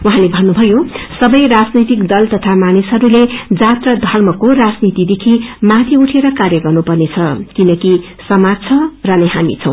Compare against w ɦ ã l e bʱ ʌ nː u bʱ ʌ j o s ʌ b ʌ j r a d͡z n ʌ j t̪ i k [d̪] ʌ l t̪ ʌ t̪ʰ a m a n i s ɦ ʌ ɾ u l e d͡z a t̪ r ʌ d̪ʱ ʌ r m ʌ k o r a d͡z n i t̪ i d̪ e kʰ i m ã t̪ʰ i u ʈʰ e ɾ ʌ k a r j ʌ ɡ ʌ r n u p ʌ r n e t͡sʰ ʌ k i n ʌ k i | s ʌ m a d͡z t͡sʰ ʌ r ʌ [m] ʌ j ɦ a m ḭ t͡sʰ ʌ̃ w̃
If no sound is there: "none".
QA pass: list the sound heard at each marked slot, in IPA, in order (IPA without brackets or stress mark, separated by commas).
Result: d̪, n